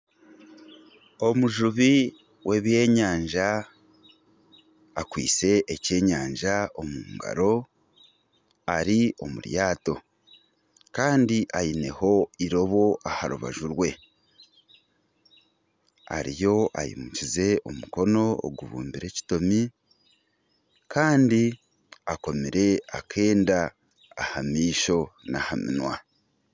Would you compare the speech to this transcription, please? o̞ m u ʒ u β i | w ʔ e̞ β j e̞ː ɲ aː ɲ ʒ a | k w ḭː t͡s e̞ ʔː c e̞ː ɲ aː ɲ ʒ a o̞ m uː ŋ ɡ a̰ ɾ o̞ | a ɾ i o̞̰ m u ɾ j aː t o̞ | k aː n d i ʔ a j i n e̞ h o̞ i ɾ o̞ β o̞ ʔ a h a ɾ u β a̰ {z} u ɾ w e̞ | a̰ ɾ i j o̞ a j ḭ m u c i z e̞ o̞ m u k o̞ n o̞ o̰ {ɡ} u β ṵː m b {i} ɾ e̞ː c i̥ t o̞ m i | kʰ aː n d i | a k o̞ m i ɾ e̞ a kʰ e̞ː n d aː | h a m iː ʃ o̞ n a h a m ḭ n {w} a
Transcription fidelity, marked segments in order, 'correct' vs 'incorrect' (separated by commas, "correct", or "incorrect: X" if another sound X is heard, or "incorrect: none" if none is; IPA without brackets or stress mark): incorrect: ʒ, correct, correct, correct